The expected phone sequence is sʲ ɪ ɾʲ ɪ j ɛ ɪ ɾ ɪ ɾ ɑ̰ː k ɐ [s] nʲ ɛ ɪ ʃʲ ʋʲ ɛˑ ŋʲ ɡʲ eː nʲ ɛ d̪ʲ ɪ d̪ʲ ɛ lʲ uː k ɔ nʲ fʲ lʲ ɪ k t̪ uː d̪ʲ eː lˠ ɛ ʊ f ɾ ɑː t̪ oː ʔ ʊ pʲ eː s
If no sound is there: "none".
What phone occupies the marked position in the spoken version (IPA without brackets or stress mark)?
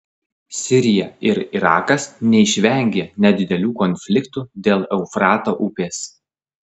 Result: s